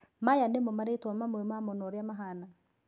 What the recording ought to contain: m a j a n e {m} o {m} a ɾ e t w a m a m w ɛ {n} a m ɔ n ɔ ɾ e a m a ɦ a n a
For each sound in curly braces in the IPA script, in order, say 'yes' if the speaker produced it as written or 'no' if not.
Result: yes, yes, no

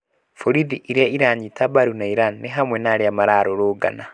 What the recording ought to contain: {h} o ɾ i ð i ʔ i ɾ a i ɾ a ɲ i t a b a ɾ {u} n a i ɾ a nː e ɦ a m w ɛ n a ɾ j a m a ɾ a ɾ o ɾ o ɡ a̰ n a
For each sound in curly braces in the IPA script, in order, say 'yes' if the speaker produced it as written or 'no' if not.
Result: no, yes

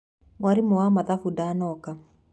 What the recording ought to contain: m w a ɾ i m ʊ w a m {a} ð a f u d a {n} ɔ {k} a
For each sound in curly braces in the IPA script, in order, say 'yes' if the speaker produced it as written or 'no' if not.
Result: yes, yes, yes

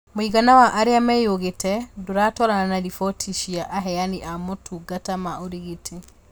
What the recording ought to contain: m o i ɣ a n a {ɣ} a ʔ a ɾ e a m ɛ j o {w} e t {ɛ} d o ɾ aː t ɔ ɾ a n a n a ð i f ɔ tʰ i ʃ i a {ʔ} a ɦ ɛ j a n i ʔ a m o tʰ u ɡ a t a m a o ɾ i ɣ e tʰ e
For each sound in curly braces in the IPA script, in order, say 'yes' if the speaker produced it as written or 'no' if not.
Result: no, no, yes, yes

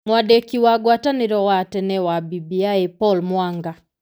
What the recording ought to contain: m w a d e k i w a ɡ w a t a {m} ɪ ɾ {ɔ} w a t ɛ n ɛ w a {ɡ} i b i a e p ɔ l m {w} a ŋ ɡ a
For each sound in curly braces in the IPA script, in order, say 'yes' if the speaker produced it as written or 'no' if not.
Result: no, yes, no, yes

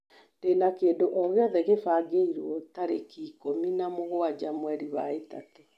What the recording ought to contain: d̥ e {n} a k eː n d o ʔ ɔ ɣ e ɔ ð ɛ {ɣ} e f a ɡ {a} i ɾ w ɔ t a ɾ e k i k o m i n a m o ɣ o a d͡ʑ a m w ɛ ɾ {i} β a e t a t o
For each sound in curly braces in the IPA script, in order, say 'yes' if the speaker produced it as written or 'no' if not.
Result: yes, yes, no, yes

